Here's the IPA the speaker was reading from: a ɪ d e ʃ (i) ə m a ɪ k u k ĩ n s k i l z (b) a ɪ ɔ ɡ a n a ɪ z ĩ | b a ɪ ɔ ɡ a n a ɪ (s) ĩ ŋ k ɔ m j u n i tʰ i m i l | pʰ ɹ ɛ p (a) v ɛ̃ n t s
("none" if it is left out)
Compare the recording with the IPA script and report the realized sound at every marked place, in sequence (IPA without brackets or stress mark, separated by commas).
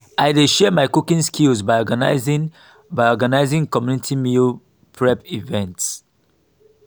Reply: ɛ, b, z, i